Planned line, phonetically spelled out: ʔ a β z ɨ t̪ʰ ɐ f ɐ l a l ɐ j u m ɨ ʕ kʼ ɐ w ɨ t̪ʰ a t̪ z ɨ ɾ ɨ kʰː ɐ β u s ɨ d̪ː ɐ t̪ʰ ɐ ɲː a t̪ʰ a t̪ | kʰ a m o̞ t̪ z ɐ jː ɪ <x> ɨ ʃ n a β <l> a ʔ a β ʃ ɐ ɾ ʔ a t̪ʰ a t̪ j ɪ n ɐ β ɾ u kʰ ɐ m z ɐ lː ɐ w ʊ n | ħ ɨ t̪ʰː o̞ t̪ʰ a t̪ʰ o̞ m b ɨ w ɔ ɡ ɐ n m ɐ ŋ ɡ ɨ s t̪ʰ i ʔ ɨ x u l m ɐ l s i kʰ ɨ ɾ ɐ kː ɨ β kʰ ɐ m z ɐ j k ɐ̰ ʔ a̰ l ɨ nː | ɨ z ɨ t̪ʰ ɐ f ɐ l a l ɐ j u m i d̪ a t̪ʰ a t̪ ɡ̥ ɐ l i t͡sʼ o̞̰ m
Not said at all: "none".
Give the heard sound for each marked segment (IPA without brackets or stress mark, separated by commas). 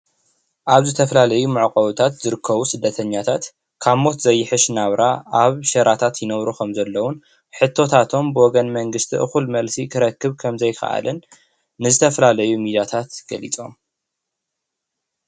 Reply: ħ, ɾ